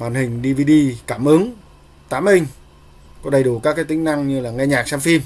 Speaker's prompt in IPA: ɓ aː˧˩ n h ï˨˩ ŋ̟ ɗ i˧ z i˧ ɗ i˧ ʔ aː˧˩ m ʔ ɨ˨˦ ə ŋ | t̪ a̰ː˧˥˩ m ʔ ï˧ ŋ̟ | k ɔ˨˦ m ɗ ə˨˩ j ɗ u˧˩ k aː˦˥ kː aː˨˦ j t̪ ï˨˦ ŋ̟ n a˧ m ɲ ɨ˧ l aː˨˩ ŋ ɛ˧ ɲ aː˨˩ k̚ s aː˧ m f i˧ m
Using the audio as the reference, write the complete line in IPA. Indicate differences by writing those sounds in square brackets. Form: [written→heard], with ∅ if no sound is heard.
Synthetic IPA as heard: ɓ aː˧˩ n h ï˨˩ ŋ̟ ɗ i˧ [z→v] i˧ ɗ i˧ [ʔ→k] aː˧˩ m ʔ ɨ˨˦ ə ŋ | t̪ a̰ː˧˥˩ m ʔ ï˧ ŋ̟ | k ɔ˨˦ [m→∅] ɗ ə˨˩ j ɗ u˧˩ k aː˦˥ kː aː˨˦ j t̪ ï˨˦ ŋ̟ n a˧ [m→ŋ] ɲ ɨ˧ l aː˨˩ ŋ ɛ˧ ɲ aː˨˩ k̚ s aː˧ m f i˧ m